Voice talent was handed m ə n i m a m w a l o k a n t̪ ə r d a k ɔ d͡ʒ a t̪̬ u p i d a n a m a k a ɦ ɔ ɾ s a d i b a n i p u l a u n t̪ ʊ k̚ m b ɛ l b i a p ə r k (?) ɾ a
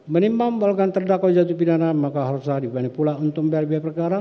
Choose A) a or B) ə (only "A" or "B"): A